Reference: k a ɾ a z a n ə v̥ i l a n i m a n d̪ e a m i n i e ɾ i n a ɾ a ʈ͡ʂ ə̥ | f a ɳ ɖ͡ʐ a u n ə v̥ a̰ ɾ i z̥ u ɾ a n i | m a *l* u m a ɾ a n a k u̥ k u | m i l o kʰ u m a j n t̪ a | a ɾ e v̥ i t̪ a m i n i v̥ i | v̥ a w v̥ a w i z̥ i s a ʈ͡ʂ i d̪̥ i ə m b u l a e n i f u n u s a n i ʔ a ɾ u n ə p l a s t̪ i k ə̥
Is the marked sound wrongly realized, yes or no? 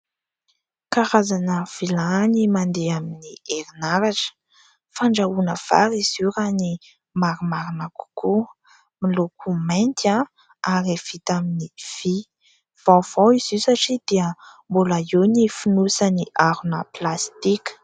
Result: yes